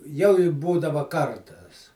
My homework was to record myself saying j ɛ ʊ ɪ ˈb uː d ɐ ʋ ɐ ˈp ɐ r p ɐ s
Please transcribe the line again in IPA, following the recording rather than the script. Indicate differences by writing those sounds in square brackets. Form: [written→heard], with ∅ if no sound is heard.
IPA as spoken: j ɛ ʊ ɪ ˈb uː d ɐ ʋ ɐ [ˈp→ˈk] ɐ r [p→t] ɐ s

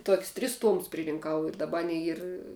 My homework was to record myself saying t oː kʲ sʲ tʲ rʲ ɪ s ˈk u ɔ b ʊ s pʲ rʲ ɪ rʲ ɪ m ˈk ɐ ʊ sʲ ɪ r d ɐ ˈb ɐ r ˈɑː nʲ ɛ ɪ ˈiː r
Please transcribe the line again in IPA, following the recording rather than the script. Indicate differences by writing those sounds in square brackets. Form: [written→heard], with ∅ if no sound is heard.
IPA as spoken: t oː kʲ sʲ tʲ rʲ ɪ s [ˈk→ˈt] u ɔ [b→m] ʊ s pʲ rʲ ɪ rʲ ɪ [m→ŋ] ˈk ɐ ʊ [sʲ→∅] ɪ r d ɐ ˈb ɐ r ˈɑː nʲ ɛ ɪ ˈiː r

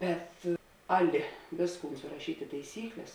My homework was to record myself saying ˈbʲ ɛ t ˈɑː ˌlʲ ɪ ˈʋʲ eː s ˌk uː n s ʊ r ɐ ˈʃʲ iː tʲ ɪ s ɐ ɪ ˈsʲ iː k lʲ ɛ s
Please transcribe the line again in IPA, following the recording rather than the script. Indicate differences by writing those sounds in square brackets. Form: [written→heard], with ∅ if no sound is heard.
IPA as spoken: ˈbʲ ɛ t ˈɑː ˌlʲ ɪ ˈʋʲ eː s ˌk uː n s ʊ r ɐ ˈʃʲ iː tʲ ɪ [s→t] ɐ ɪ ˈsʲ iː k lʲ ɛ s

